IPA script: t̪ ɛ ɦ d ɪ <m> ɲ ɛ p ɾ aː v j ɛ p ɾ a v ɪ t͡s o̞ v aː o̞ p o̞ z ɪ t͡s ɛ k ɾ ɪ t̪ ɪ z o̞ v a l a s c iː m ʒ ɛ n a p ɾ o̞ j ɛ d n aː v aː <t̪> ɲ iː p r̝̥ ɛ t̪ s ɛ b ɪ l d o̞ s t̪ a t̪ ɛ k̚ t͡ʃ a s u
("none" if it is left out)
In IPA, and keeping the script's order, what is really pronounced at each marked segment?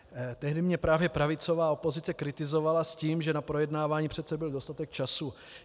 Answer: m, none

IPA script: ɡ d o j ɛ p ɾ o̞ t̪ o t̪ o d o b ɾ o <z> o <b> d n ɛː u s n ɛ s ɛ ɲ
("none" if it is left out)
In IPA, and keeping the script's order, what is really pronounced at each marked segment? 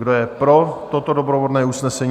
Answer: v, none

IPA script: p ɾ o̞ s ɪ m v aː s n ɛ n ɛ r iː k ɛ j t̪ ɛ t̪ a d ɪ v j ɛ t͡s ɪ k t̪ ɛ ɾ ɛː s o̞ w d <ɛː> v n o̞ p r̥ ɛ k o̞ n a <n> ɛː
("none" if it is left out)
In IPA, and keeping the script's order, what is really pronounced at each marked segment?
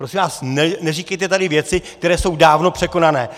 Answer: aː, n

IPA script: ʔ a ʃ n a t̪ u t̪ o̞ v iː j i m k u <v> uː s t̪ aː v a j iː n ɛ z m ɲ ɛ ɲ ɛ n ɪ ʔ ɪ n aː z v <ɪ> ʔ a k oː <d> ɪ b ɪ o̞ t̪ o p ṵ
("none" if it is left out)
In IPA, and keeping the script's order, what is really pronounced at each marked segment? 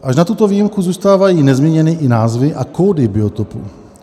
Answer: z, ɪ, d

